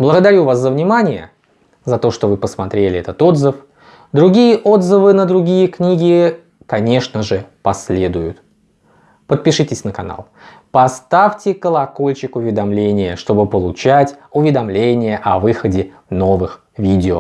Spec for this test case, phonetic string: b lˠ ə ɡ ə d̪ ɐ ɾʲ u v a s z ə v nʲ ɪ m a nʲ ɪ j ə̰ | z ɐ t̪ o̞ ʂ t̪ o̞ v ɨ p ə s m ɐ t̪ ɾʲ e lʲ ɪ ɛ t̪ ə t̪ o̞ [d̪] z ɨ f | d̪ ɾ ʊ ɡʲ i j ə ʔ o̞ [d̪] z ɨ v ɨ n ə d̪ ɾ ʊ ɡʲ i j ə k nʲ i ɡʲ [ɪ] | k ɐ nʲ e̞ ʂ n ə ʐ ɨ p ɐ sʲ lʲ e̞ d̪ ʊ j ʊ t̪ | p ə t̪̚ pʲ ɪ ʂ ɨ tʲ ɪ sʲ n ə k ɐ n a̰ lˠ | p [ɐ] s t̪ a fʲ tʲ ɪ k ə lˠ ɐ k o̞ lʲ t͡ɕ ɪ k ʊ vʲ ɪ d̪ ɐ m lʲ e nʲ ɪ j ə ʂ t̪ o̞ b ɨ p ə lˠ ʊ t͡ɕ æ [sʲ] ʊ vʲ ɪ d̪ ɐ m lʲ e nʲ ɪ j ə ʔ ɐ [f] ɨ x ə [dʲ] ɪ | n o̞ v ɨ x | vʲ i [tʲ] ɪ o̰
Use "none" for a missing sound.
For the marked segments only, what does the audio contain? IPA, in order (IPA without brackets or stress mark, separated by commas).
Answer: d̪, d̪, ɪ, ɐ, tʲ, v, dʲ, dʲ